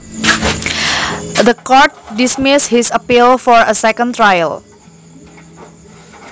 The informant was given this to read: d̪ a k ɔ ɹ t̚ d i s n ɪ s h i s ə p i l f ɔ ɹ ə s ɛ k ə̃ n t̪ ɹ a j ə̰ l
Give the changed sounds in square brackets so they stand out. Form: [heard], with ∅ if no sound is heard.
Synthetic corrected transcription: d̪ [ə] k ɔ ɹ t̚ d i s [m] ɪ s h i s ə p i l f ɔ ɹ ə s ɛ k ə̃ n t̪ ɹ a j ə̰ l